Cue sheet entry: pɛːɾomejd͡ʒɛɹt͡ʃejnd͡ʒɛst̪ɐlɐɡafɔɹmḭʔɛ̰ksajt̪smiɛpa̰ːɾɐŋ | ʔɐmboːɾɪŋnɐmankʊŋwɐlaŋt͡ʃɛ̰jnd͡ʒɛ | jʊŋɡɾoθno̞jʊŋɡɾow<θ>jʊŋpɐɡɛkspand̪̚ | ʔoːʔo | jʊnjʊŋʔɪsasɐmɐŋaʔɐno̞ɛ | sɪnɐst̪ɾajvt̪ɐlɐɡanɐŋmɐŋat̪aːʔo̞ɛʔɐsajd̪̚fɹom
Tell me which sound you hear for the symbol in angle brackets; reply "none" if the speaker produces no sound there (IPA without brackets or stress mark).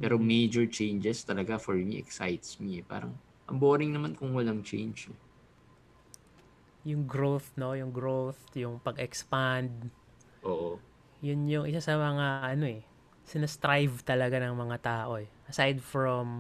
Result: θ